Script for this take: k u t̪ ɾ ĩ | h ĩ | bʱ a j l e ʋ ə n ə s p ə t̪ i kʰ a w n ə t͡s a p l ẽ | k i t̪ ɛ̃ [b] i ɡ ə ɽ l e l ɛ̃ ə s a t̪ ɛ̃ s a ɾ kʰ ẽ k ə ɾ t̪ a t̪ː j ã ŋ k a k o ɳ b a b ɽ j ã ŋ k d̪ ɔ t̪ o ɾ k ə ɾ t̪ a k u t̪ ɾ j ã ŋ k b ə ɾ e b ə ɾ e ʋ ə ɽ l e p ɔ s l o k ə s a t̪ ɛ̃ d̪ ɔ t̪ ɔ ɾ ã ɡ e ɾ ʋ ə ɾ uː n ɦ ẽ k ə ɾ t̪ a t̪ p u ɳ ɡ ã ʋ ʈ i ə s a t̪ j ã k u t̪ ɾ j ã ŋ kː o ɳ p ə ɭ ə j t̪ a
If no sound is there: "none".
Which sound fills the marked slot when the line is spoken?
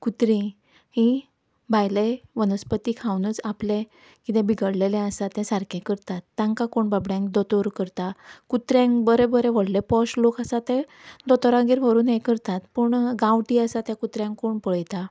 b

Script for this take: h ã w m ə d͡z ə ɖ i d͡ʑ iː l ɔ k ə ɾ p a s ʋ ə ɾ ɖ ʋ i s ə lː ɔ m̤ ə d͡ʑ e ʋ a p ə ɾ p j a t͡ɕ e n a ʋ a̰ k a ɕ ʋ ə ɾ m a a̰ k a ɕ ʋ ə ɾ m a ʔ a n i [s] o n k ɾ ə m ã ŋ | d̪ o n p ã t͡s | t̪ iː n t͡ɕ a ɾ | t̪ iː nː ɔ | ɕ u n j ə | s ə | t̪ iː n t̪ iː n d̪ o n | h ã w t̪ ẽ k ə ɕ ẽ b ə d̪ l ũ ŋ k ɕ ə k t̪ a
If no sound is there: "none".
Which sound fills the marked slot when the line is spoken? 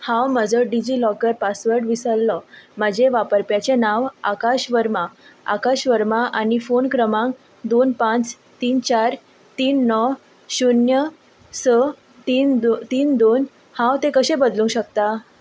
f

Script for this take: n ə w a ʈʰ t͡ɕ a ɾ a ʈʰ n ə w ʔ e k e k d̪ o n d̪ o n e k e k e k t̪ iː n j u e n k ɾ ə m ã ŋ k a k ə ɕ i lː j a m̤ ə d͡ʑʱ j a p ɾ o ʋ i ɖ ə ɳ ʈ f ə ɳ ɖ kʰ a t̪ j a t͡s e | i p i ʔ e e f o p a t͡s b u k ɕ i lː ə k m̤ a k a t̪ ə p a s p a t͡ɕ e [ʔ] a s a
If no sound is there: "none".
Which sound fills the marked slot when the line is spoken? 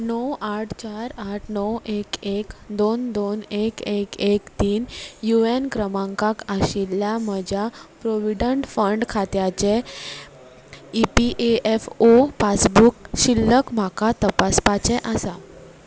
ʔ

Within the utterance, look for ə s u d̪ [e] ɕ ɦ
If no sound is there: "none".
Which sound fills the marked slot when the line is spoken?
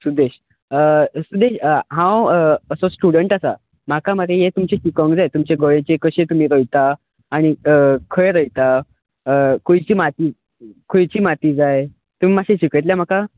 e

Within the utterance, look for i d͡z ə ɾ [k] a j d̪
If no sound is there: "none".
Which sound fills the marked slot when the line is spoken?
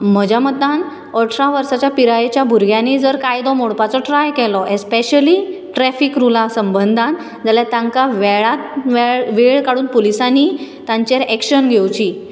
k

